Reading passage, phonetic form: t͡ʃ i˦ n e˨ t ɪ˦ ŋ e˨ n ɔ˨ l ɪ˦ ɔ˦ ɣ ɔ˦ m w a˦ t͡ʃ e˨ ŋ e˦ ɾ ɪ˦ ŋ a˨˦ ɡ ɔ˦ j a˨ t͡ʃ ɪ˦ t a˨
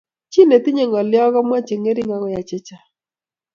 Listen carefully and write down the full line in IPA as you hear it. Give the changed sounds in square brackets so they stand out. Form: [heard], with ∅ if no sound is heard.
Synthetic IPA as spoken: t͡ʃ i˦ n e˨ t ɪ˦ [ɲ] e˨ [ŋ] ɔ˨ l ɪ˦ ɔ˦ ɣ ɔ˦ m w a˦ t͡ʃ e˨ ŋ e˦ ɾ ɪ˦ ŋ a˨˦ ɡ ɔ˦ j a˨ t͡ʃ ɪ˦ [t͡ʃ] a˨